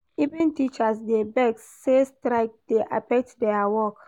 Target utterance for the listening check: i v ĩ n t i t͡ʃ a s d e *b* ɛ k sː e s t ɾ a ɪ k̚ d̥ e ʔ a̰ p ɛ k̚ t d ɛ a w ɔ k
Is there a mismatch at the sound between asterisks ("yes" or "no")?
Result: no